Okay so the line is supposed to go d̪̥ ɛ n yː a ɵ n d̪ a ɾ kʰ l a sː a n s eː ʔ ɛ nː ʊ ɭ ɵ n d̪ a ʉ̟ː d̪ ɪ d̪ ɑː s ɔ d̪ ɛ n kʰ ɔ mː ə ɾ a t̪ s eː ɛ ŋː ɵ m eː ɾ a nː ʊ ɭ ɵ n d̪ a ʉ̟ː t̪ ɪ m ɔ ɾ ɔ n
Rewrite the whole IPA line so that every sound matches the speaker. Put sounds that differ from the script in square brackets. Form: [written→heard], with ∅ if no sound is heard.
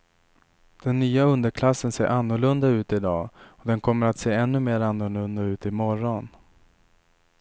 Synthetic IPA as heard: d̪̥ ɛ [n→nː] yː a ɵ n d̪ [a→ə] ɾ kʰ l a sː [a→ə] n s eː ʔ [ɛ→a] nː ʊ ɭ ɵ n d̪ a ʉ̟ː [d̪→t̪] ɪ d̪ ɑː [s→∅] ɔ d̪ ɛ n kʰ ɔ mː ə ɾ a t̪ s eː ɛ [ŋː→nː] ɵ m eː ɾ a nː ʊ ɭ ɵ n d̪ a ʉ̟ː t̪ ɪ m ɔ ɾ ɔ n